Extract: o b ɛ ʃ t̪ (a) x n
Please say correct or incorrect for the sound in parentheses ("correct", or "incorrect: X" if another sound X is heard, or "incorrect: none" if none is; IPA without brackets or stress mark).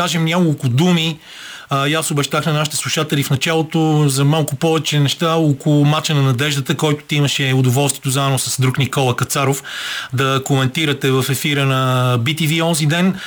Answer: correct